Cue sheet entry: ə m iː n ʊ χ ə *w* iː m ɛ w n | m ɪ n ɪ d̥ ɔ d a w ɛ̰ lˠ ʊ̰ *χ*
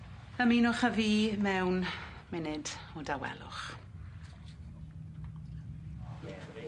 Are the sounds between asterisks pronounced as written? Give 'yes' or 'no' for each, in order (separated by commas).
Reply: no, yes